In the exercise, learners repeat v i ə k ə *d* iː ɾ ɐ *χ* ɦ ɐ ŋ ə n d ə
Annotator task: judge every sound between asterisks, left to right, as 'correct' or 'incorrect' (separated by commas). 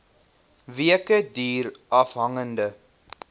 correct, incorrect